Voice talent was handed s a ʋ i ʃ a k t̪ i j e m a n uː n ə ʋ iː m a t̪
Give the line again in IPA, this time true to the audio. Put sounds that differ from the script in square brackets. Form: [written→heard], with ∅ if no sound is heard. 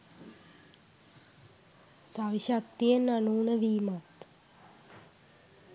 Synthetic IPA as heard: s a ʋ i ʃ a k t̪ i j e [m→n] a n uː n ə ʋ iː m a t̪